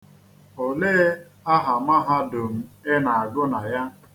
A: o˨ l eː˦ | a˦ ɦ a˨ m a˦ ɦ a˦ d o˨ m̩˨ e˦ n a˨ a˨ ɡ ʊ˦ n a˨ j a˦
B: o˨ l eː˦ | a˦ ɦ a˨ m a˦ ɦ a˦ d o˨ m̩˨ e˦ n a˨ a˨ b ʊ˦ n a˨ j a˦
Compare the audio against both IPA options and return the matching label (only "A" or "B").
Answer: A